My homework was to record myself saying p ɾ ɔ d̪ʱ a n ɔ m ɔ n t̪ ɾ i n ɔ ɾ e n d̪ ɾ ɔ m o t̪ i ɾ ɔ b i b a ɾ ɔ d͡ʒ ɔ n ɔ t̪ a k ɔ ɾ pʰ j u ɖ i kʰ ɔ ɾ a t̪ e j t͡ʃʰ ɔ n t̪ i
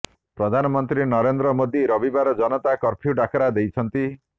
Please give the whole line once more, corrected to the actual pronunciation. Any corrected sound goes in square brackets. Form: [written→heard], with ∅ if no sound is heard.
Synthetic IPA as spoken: p ɾ ɔ d̪ʱ a n ɔ m ɔ n t̪ ɾ i n ɔ ɾ e n d̪ ɾ ɔ m o [t̪→d̪] i ɾ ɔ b i b a ɾ ɔ d͡ʒ ɔ n ɔ t̪ a k ɔ ɾ pʰ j u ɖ [i→a] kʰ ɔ ɾ a [t̪→d̪] e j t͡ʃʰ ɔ n t̪ i